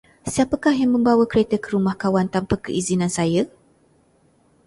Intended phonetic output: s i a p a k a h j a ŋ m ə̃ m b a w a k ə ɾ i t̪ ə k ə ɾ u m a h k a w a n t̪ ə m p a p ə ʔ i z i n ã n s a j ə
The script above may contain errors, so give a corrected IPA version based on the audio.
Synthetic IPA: s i a p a k a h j a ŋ m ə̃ m b a w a k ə ɾ e t̪ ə k ə ɾ u m a h k a w a n t̪ a m p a k ə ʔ i z i n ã n s a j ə